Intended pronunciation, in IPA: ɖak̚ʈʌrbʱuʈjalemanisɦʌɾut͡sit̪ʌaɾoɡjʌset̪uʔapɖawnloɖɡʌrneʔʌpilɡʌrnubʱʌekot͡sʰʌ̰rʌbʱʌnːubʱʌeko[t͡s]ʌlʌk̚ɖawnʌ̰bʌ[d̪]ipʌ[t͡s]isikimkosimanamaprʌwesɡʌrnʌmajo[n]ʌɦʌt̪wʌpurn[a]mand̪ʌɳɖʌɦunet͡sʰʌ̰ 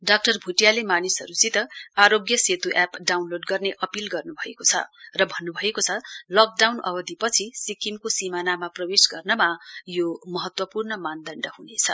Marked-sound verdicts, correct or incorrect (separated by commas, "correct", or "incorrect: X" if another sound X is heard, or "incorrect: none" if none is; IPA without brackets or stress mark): incorrect: t͡sʰ, correct, incorrect: t͡sʰ, incorrect: m, incorrect: ʌ